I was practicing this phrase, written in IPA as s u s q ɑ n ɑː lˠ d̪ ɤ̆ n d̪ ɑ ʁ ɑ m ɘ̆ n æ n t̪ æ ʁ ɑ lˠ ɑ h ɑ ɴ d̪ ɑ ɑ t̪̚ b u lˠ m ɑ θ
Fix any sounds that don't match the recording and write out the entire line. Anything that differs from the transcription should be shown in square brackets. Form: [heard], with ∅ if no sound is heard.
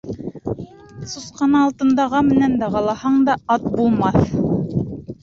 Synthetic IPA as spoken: s u s q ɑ n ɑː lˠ [t̪] ɤ̆ n d̪ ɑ ʁ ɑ m ɘ̆ n æ n [d̪] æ ʁ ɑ lˠ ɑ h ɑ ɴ d̪ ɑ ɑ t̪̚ b u lˠ m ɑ θ